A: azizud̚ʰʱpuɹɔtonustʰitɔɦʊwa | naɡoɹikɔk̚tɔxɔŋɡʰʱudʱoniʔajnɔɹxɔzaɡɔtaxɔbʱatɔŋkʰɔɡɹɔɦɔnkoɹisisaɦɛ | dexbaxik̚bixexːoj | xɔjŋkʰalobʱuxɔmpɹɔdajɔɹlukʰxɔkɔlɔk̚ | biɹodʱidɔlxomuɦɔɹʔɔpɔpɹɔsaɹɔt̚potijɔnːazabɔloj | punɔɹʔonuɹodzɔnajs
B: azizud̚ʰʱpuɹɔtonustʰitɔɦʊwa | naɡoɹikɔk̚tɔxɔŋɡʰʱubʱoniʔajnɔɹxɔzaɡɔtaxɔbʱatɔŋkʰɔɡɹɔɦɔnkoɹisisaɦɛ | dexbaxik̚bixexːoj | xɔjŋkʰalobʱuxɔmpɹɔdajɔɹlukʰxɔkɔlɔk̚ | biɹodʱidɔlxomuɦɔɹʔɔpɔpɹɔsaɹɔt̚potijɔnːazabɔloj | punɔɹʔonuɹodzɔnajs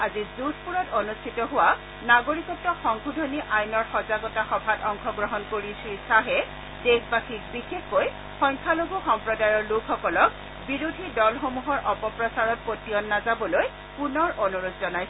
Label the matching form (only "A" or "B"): A